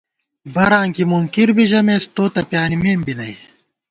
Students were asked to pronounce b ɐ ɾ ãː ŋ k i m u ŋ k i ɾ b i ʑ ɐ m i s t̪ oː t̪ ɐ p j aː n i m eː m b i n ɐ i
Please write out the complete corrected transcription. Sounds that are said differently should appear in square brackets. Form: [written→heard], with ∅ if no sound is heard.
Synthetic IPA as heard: b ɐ ɾ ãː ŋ k i m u ŋ k i ɾ b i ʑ ɐ m [i→e] s t̪ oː t̪ ɐ p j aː n i m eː m b i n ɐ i